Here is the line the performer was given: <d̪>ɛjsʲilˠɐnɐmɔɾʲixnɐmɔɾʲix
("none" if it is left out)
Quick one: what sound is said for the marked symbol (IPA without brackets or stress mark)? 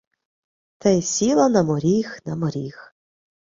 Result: t̪